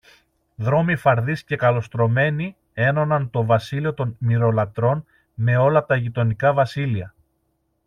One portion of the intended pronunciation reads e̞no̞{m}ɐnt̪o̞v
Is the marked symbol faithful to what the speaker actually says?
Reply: no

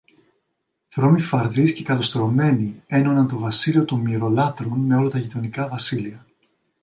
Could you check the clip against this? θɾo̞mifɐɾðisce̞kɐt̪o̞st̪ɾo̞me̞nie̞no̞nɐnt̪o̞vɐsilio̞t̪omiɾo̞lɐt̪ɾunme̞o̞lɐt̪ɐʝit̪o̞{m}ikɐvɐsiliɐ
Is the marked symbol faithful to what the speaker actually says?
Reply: no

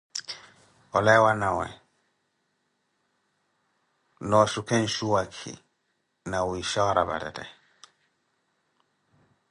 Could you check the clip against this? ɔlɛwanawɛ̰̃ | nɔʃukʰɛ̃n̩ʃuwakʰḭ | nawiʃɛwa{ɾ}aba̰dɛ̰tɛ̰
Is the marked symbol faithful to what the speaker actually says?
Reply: yes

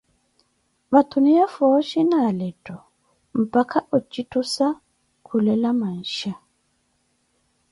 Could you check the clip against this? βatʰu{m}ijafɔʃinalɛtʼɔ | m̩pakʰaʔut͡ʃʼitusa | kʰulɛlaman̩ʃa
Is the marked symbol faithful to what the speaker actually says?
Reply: no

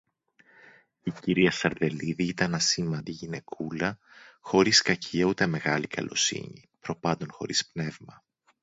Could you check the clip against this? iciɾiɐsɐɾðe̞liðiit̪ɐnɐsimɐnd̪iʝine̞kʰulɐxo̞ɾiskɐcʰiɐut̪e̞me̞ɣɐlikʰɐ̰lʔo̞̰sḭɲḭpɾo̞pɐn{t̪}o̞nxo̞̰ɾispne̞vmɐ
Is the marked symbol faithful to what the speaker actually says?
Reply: no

